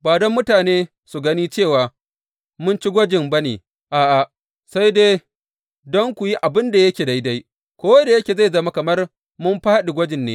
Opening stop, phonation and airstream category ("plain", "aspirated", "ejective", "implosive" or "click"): plain